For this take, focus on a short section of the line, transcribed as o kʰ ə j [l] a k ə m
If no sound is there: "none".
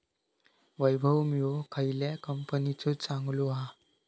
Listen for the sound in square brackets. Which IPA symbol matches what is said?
l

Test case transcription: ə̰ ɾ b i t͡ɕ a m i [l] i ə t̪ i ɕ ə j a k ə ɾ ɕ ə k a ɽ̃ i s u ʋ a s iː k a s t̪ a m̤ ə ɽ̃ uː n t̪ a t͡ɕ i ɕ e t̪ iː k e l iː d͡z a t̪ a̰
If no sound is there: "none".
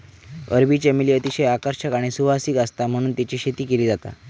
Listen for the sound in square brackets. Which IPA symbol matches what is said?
l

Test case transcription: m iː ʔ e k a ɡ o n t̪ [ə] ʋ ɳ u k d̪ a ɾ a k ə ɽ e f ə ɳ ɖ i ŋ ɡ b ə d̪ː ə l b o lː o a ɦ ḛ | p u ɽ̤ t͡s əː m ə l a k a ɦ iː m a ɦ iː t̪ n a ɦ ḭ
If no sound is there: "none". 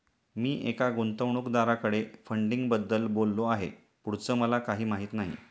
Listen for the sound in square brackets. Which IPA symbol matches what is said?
ə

